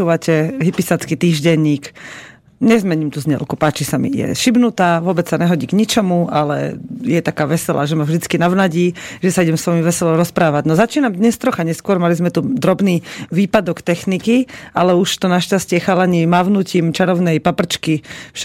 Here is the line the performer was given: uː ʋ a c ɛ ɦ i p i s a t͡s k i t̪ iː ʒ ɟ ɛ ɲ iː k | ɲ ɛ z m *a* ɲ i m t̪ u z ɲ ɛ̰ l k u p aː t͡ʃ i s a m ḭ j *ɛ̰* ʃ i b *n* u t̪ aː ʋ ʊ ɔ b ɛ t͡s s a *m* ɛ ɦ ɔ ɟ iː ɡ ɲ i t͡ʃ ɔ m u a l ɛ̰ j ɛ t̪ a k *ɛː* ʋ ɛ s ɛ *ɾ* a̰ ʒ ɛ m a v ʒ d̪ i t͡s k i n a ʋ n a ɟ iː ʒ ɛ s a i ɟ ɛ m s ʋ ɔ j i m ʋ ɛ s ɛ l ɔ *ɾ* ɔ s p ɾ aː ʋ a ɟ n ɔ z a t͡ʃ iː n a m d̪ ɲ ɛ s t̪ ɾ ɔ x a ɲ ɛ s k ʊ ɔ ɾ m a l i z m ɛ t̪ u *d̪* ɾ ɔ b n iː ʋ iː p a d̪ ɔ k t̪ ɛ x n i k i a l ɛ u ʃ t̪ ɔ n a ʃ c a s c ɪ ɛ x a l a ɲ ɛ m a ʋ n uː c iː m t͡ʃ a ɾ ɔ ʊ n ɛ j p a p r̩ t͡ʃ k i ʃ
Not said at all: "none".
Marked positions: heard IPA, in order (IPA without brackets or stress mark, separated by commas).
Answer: ɛ, ɛ̰, n, ɲ, aː, l, ɾ, d̪